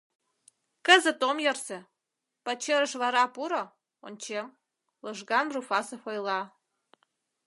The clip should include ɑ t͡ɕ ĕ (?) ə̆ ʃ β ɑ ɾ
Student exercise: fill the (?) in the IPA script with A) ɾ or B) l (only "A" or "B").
A